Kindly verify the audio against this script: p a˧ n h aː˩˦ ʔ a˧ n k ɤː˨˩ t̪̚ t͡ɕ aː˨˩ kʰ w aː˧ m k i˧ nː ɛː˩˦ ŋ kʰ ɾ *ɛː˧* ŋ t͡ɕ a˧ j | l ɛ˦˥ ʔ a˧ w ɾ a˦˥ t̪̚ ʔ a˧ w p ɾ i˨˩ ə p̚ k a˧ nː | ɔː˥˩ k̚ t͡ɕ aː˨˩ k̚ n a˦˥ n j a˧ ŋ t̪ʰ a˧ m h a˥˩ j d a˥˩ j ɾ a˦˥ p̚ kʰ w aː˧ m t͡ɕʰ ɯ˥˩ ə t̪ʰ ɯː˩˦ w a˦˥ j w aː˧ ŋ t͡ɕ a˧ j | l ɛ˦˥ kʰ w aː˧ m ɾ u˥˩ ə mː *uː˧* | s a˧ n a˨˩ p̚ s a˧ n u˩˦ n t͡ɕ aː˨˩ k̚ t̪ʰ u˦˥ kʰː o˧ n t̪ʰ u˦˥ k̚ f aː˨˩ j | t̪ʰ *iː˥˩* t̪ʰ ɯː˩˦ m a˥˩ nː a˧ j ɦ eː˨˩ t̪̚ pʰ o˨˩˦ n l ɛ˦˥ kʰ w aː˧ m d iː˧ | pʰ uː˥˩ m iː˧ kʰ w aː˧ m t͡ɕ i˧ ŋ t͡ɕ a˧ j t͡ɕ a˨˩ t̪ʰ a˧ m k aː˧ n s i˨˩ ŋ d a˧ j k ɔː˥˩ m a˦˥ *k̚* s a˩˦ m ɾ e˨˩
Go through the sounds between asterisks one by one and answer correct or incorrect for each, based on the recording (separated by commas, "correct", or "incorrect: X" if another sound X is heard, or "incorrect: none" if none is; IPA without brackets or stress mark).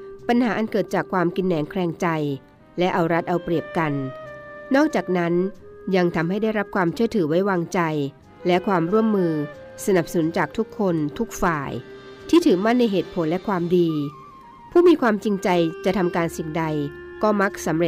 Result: correct, incorrect: ɯː˧, correct, correct